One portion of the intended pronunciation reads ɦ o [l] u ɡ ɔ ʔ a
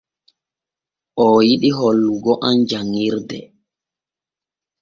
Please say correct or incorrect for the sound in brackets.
incorrect